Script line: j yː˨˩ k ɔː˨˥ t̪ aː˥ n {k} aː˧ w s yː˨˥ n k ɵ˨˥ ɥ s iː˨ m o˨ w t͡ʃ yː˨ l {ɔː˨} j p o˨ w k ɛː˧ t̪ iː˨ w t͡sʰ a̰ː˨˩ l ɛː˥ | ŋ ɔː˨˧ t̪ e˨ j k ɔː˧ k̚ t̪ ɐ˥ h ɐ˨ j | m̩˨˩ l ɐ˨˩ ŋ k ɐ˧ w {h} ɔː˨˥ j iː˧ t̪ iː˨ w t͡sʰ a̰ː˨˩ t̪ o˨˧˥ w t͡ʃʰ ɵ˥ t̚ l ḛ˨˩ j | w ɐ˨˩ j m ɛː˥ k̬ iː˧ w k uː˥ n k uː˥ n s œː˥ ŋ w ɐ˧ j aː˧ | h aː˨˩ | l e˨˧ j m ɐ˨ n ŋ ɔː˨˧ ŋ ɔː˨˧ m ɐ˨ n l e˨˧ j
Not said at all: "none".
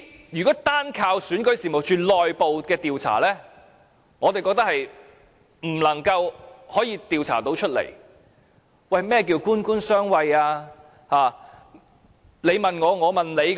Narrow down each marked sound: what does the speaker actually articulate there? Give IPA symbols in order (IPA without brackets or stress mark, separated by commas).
kʰ, ɔː˨, h